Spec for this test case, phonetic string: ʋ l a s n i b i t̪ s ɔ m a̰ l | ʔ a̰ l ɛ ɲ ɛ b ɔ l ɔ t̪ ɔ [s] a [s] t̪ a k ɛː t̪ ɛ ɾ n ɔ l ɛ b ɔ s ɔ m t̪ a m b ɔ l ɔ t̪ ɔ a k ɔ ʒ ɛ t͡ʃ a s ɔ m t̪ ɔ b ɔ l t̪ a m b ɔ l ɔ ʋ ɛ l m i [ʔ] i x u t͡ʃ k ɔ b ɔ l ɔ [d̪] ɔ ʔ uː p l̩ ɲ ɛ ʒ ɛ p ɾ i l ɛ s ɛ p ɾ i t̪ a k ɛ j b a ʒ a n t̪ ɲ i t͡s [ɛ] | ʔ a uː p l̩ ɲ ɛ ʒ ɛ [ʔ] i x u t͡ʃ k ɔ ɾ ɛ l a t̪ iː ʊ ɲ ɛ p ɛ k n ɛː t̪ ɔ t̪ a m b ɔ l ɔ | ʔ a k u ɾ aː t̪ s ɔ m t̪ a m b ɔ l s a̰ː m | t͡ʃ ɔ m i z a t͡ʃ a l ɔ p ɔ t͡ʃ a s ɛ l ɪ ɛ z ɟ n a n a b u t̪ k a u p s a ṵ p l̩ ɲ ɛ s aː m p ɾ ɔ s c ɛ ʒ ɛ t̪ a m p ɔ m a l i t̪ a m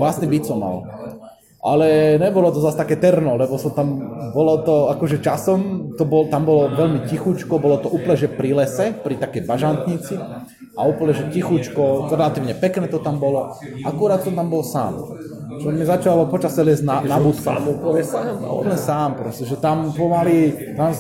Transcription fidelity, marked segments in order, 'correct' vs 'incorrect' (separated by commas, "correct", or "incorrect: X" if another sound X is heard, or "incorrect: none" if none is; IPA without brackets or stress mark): incorrect: z, correct, incorrect: c, incorrect: t̪, incorrect: i, incorrect: c